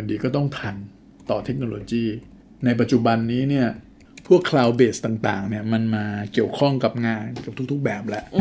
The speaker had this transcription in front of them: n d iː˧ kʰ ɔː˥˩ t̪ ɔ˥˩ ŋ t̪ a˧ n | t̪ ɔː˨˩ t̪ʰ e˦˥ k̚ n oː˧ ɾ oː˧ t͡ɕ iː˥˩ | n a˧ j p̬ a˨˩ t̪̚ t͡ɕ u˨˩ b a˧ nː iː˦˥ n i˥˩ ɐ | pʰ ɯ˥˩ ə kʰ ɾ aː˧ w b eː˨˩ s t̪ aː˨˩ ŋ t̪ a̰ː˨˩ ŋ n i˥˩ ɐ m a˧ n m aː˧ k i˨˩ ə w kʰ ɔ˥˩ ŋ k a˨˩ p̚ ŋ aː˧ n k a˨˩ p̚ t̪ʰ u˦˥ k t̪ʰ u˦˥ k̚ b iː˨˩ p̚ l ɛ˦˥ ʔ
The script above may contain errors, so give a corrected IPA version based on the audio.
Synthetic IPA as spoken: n d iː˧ k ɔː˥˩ t̪ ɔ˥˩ ŋ t̪ʰ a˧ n | t̪ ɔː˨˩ t̪ʰ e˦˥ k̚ n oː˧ l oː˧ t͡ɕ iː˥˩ | n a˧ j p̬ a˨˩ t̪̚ t͡ɕ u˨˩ b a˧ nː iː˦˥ n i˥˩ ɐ | pʰ u˥˩ ə kʰ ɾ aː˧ w b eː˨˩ s t̪ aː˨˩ ŋ t̪ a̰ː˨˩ ŋ n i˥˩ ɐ m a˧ n m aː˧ k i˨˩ ə w kʰ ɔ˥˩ ŋ k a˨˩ p̚ ŋ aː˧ n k a˨˩ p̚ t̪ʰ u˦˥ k t̪ʰ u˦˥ k̚ b ɛː˨˩ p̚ l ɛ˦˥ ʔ